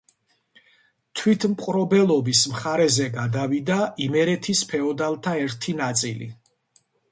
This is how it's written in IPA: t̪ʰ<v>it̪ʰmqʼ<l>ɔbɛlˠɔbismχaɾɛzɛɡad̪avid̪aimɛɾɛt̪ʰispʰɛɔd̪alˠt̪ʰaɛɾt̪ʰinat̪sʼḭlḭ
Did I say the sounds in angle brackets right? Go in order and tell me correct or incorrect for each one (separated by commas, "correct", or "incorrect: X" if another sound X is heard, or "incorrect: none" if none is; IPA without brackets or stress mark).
incorrect: w, incorrect: ɾ